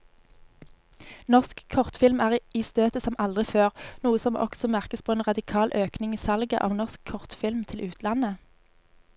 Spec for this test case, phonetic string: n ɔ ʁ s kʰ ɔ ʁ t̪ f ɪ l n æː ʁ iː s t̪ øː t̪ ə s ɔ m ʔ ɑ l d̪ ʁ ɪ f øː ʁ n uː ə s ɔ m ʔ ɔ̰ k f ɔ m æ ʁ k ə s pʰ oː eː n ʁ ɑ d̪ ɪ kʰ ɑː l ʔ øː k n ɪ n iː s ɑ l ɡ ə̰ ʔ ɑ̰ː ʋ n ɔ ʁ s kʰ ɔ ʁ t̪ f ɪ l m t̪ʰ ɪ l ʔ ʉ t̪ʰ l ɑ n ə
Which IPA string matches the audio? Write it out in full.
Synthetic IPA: n ɔ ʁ s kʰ ɔ ʁ t̪ f ɪ l m æː ʁ iː s t̪ øː t̪ ə s ɔ m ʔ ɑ l d̪ ʁ ɪ f øː ʁ n uː ə s ɔ m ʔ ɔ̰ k s ɔ m æ ʁ k ə s pʰ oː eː n ʁ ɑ d̪ ɪ kʰ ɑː l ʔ øː k n ɪ ŋ iː s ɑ l ɡ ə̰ ʔ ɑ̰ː ʋ n ɔ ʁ s kʰ ɔ ʁ t̪ f ɪ l m t̪ʰ ɪ l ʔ ʉː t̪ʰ l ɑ n ə